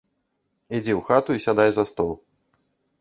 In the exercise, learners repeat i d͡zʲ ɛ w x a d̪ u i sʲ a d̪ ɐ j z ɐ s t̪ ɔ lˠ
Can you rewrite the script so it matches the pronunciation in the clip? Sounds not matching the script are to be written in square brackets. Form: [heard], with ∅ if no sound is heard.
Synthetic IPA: i d͡zʲ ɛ w x a [t̪] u i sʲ a d̪ [a] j z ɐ s t̪ ɔ lˠ

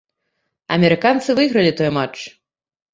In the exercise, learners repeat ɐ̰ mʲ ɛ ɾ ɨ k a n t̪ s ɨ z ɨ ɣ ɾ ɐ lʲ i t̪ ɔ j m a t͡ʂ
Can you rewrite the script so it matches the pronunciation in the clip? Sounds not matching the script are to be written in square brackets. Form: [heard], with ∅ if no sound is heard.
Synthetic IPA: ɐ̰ mʲ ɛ ɾ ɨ k a n t̪ s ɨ [v] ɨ ɣ ɾ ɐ lʲ i t̪ ɔ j m a t͡ʂ

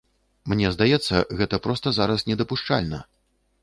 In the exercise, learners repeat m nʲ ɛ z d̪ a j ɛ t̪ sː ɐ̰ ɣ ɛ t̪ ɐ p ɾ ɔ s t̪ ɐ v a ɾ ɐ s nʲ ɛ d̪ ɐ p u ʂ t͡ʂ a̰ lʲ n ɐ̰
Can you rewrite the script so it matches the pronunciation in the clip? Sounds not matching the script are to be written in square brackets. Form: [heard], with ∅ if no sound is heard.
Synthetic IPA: m nʲ ɛ z d̪ a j ɛ t̪ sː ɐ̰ ɣ ɛ t̪ ɐ p ɾ ɔ s t̪ ɐ [z] a ɾ ɐ s nʲ ɛ d̪ ɐ p u ʂ t͡ʂ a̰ lʲ n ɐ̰

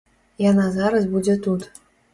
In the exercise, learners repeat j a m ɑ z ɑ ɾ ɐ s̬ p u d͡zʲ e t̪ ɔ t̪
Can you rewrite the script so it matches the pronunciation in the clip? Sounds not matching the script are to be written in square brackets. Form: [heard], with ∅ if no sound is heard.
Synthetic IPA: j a [n] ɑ z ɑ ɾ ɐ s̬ [b] u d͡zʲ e t̪ [u] t̪

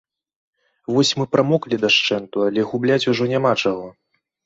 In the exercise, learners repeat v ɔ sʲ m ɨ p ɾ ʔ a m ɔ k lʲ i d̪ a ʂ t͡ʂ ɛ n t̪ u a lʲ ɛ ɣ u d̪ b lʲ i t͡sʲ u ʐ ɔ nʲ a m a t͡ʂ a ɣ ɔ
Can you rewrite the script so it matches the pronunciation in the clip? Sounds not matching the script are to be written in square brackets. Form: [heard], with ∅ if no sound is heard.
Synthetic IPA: v ɔ sʲ m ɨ p ɾ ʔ a m ɔ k lʲ i d̪ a ʂ t͡ʂ ɛ n t̪ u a lʲ ɛ ɣ u [∅] b lʲ [a] t͡sʲ u ʐ ɔ nʲ a m a t͡ʂ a ɣ ɔ

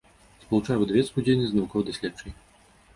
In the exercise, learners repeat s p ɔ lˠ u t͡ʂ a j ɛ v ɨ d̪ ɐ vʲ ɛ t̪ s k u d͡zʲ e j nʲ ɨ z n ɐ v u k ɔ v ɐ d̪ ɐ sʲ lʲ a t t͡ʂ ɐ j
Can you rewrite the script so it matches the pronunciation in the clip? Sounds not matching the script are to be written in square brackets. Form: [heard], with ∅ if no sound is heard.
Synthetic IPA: s p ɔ lˠ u t͡ʂ a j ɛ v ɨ d̪ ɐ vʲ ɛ t̪ s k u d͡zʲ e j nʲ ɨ z n ɐ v u k ɔ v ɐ d̪ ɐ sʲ lʲ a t t͡ʂ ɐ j

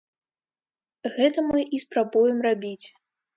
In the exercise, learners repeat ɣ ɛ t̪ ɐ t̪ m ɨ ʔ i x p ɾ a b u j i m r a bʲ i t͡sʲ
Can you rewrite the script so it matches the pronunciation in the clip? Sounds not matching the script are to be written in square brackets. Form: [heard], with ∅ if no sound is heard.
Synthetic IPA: ɣ ɛ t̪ ɐ [∅] m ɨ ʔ i [s] p ɾ a b u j [ɛ] m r a bʲ i t͡sʲ

